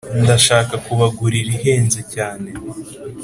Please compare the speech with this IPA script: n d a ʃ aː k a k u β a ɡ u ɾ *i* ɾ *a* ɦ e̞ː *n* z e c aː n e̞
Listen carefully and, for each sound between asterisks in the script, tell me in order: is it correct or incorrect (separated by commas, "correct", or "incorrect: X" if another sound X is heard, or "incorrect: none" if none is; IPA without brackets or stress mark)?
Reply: correct, incorrect: i, correct